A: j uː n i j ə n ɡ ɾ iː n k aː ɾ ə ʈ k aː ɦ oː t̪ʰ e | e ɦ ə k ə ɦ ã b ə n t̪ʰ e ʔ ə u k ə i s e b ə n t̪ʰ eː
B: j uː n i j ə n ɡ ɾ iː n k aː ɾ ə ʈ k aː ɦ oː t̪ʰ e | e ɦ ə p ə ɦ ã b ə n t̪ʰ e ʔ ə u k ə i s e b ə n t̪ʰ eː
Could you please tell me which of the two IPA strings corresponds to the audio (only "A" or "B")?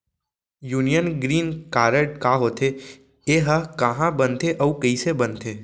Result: A